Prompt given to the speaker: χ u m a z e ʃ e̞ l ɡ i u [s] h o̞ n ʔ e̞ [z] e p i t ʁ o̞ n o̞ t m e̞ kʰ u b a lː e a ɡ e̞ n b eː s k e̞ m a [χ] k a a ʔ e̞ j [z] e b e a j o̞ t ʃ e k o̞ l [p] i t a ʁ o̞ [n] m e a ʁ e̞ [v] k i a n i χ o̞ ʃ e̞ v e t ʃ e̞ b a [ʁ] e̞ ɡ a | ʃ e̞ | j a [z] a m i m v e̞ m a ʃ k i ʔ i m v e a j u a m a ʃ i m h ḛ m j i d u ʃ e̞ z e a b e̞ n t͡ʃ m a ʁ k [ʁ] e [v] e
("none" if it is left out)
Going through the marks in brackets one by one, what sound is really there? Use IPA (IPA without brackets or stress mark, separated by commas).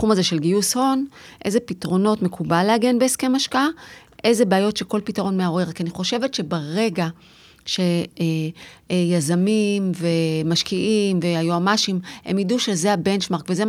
s, z, ʃ, z, p, n, ʁ, ʁ, z, v, z